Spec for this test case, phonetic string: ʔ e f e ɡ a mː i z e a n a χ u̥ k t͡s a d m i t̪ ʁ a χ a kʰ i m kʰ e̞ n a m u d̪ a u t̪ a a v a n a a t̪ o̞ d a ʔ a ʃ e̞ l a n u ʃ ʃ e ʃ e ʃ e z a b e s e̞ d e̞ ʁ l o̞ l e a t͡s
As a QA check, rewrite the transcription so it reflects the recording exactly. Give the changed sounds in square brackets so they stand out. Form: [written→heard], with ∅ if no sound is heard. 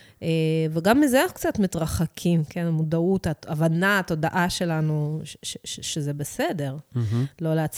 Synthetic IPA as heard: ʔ e [f→v] e ɡ a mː i z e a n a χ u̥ k t͡s a [d→t] m i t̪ ʁ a χ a kʰ i m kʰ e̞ n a m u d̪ a u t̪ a a v a n a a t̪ o̞ d a ʔ a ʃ e̞ l a n u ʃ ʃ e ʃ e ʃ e z [a→e] b e s e̞ d e̞ ʁ l o̞ l e a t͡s